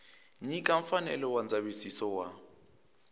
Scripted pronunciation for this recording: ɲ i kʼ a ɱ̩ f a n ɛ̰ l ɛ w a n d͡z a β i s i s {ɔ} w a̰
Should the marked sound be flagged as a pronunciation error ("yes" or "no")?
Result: no